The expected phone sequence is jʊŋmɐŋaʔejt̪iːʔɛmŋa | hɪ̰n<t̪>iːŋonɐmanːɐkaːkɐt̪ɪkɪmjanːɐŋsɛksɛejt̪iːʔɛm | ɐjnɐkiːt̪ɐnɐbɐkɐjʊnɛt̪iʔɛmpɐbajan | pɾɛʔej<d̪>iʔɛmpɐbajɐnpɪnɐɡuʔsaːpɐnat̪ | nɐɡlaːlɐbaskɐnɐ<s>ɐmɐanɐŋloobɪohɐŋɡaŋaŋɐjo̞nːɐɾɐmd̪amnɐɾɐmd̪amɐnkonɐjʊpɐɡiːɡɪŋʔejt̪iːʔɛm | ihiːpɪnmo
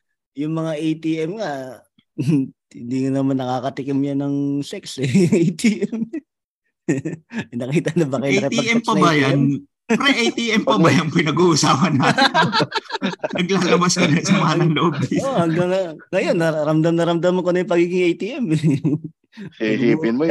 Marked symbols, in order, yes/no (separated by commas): no, no, yes